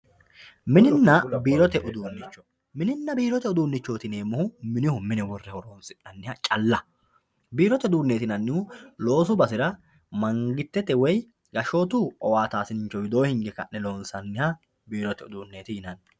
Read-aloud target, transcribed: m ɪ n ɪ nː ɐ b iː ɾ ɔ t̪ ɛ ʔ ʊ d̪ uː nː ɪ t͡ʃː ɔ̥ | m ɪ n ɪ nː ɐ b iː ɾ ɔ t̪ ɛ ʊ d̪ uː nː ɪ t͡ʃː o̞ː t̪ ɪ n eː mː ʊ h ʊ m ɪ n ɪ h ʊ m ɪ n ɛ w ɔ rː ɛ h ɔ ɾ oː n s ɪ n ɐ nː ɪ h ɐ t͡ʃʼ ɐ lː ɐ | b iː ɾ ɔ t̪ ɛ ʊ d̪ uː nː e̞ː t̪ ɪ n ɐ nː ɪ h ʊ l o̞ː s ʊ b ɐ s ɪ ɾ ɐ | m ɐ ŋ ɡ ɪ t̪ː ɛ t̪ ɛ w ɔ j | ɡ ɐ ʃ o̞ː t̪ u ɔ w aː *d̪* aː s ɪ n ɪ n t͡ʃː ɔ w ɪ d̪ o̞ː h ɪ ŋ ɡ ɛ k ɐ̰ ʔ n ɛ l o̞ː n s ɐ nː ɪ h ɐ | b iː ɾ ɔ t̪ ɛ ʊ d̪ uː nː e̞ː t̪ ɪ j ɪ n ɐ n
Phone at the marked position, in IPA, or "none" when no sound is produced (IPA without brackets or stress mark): t̪